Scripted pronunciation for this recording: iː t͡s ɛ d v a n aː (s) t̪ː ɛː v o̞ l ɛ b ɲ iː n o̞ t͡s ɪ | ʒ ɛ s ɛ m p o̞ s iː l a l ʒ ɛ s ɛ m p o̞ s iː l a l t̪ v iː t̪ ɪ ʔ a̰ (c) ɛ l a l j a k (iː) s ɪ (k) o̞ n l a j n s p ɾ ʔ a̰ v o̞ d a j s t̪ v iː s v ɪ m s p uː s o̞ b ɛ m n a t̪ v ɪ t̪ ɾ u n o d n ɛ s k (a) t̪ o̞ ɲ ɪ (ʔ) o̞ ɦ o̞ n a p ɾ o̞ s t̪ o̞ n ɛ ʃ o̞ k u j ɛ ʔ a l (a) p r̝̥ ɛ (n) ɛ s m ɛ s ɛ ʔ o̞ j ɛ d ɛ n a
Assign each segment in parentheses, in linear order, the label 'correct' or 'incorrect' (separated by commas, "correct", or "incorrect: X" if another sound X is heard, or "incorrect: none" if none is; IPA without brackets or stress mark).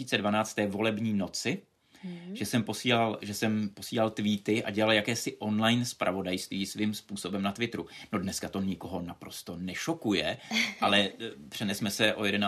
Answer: incorrect: t͡s, incorrect: ɟ, incorrect: ɛː, incorrect: ʔ, correct, incorrect: k, incorrect: ɛ, correct